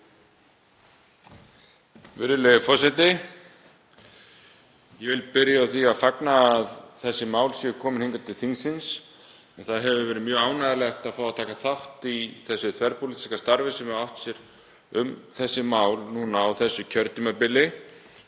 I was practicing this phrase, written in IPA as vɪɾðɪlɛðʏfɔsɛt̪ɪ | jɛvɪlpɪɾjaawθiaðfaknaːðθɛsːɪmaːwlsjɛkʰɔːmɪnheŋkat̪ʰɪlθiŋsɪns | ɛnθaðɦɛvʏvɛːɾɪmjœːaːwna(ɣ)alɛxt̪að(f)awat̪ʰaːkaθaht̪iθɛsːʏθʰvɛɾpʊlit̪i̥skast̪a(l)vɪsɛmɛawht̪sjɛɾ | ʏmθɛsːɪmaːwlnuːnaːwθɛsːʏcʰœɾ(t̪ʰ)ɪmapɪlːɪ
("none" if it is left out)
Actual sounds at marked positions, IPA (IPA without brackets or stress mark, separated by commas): ð, f, ɾ, t̪